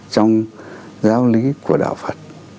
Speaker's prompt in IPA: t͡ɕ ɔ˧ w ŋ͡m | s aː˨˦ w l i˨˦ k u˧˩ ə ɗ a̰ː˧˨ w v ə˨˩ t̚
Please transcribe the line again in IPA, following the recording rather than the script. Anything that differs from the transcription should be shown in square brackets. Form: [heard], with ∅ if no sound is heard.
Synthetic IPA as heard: t͡ɕ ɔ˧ w ŋ͡m | [z] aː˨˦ w l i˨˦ k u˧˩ ə ɗ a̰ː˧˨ w [f] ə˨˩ t̚